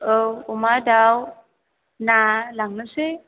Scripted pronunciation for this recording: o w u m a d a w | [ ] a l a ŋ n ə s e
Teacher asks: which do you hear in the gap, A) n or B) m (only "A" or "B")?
A